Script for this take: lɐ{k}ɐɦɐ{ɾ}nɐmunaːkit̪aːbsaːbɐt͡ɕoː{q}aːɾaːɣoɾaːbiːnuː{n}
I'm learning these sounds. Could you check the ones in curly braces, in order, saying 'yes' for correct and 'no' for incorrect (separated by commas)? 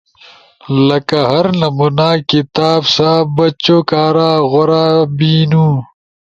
yes, yes, no, no